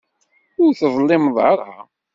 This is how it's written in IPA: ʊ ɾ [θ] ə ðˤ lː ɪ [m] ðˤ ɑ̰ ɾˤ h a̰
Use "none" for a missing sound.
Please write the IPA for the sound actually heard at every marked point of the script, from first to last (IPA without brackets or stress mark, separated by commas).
θ, m